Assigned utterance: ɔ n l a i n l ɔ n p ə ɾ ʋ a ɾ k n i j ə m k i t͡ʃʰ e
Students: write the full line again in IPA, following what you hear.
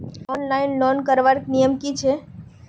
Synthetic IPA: ɔ n l a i n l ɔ n k ə ɾ ʋ a ɾ k n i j ə m k i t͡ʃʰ e